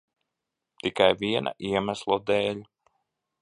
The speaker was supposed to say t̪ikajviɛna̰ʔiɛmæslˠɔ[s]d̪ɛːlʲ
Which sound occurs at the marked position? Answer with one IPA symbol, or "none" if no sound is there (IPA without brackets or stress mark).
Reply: none